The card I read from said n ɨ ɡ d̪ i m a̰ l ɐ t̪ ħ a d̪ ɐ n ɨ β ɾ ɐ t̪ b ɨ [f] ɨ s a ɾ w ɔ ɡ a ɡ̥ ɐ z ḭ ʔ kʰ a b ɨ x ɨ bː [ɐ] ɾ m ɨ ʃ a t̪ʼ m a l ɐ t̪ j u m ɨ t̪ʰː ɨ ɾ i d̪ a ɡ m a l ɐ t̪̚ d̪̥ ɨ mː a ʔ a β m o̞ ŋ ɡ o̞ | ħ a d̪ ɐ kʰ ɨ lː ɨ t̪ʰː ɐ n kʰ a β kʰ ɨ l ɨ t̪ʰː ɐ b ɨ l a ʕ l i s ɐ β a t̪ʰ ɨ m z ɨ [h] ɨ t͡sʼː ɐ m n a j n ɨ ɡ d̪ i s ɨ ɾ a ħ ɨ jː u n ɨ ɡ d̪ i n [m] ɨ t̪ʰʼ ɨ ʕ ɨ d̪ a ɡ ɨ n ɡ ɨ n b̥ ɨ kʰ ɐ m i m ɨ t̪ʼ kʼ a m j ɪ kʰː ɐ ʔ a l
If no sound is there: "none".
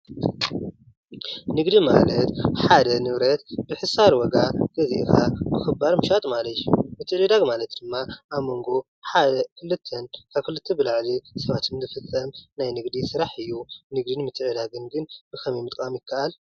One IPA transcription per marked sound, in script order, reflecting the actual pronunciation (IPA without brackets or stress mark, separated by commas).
ħ, a, f, m